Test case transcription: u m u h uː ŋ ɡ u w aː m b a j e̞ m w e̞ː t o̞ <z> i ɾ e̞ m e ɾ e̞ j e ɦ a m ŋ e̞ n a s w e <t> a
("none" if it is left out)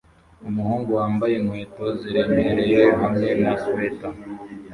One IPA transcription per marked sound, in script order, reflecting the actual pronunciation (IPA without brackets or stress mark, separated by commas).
z, t